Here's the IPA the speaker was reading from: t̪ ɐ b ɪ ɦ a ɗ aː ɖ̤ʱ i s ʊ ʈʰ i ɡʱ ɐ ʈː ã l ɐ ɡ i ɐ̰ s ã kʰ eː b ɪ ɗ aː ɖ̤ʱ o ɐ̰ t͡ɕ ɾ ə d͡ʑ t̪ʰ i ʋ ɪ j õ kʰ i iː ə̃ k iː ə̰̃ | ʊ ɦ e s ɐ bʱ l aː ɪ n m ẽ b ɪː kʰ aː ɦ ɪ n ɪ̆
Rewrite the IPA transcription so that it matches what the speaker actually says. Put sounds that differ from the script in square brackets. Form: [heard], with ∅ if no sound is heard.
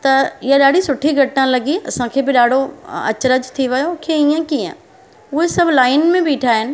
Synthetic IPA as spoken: t̪ ɐ [∅] ɪ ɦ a ɗ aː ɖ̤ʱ i s ʊ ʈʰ i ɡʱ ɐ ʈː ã l ɐ ɡ i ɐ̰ s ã kʰ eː b ɪ ɗ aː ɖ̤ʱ o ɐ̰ t͡ɕ ɾ ə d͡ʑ t̪ʰ i ʋ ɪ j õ kʰ [e] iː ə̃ k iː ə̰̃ | ʊ ɦ e s ɐ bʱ l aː ɪ n m ẽ b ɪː [ʈʰ] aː ɦ ɪ n ɪ̆

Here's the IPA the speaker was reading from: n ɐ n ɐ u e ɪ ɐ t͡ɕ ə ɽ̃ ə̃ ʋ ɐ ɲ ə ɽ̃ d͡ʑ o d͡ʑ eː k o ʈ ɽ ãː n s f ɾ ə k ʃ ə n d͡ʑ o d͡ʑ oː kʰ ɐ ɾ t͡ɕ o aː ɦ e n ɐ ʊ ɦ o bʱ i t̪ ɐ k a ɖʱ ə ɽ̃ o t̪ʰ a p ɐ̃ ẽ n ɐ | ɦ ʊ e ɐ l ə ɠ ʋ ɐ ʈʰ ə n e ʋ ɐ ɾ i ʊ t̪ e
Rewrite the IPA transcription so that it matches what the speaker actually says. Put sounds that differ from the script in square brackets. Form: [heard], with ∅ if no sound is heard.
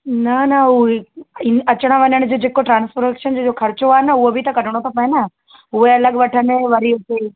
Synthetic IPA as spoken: n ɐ n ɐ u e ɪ ɐ t͡ɕ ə ɽ̃ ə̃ ʋ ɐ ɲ ə ɽ̃ d͡ʑ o d͡ʑ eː k o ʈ [ɾ] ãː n s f ɾ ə k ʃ ə n d͡ʑ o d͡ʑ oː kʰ ɐ ɾ t͡ɕ o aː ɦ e n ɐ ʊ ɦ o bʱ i t̪ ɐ k [ɐ] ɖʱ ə ɽ̃ o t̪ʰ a p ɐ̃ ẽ n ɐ | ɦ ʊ e ɐ l ə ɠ ʋ ɐ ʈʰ ə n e ʋ ɐ ɾ i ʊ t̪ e

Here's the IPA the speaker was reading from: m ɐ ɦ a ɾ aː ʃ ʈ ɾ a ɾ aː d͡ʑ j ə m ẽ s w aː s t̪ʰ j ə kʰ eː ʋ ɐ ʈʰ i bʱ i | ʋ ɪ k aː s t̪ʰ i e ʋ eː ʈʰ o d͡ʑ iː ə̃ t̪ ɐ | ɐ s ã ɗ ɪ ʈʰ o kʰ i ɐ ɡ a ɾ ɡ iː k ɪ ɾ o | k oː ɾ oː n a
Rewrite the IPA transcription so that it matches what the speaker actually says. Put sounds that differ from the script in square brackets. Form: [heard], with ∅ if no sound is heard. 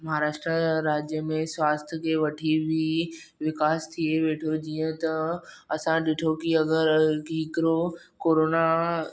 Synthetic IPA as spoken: m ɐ ɦ a ɾ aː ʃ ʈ ɾ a ɾ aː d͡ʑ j ə m ẽ s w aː s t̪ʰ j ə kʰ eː ʋ ɐ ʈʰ i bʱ i | ʋ ɪ k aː s t̪ʰ i e ʋ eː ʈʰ o d͡ʑ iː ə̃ t̪ ɐ | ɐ s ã ɗ ɪ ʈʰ o [k] i ɐ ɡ [ə] ɾ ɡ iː k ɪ ɾ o | k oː ɾ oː n a

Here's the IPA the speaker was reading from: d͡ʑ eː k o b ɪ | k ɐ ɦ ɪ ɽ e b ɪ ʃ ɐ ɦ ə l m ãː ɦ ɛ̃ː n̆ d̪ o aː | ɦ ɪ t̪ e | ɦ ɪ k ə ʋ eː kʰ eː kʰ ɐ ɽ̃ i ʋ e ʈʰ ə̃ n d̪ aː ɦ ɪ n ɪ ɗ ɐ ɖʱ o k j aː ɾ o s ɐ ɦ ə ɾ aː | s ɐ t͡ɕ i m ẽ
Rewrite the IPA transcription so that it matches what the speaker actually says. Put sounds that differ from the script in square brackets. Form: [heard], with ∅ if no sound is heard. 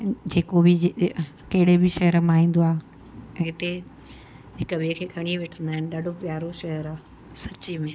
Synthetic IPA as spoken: d͡ʑ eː k o b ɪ | k ɐ ɦ ɪ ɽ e b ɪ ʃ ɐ ɦ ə [ɾ] m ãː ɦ [ĩː] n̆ d̪ o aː | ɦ ɪ t̪ e | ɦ ɪ k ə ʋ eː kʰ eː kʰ ɐ ɽ̃ i ʋ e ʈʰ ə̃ n d̪ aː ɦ ɪ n ɪ ɗ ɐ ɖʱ o [p] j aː ɾ o [ʃ] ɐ ɦ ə ɾ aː | s ɐ t͡ɕ i m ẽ

